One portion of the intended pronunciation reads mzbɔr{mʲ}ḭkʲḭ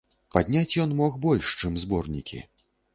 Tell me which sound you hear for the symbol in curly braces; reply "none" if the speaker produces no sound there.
nʲ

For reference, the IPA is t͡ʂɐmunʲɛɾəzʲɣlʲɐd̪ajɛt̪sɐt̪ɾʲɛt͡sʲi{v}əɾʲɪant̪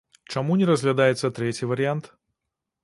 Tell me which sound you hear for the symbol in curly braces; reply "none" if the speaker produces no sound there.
v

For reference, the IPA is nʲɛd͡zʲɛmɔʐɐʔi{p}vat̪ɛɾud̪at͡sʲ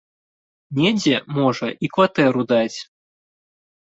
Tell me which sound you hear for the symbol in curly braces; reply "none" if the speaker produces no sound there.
k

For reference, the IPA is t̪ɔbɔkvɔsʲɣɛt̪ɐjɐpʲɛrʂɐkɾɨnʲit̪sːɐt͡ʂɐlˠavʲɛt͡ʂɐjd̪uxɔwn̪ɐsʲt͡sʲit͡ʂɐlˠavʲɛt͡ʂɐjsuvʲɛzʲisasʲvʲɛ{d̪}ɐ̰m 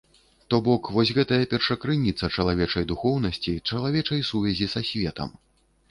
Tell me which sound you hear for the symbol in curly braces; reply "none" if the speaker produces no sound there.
t̪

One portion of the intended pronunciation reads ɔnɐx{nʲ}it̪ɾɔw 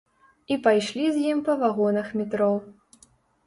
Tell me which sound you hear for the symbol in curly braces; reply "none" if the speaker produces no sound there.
mʲ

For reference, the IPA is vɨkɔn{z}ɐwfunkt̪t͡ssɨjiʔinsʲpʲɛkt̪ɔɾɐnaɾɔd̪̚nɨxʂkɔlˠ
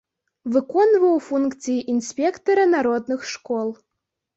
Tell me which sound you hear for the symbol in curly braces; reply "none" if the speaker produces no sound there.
v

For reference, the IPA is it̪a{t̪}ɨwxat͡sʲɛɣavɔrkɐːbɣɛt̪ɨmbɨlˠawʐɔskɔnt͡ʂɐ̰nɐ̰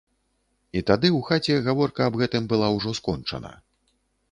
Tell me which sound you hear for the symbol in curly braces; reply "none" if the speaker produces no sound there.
d̪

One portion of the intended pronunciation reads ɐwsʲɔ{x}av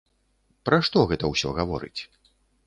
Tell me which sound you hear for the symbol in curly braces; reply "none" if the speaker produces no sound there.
ɣ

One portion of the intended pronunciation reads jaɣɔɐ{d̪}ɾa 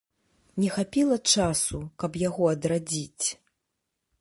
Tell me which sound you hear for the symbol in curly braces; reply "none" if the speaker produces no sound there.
d̪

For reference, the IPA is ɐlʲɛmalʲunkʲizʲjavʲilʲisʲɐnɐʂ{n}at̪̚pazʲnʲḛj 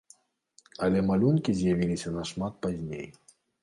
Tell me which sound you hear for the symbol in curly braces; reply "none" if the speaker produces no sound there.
m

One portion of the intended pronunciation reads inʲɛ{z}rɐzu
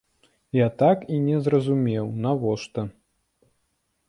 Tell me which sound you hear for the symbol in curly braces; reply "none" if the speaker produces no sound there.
z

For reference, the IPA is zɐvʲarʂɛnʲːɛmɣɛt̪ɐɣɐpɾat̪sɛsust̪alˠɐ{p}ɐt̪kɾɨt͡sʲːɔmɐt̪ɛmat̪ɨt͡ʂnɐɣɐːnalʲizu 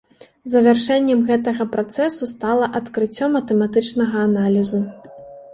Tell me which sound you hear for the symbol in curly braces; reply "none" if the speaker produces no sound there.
ʔ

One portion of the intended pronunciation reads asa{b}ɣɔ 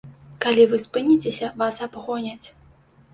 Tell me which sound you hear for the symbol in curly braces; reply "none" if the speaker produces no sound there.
b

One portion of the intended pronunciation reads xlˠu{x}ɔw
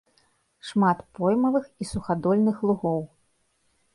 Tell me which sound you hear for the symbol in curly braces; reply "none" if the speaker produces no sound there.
ɣ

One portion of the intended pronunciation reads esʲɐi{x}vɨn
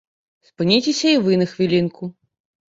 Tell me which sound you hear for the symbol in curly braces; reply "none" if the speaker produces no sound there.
none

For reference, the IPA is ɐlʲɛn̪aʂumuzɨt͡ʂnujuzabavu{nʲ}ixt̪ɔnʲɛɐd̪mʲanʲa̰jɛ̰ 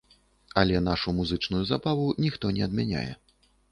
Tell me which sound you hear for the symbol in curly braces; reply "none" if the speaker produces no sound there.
nʲ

